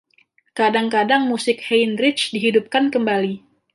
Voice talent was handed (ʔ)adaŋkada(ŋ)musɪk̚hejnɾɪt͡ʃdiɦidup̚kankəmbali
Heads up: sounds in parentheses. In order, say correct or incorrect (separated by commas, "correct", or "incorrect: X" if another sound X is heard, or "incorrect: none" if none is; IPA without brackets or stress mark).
incorrect: k, correct